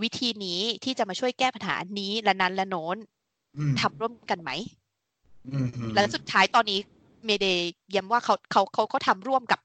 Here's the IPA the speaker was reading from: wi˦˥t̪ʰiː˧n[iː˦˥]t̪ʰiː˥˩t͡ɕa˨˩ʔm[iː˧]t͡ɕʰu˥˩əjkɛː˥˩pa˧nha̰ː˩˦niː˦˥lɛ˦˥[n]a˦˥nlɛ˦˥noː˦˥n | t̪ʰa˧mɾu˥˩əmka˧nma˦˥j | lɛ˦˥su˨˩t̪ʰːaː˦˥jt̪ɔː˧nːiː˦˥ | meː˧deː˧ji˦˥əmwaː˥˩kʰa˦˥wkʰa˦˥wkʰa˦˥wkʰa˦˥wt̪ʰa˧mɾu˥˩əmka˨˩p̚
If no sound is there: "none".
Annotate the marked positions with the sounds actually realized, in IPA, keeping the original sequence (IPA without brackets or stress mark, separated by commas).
iː˦˥, aː˧, n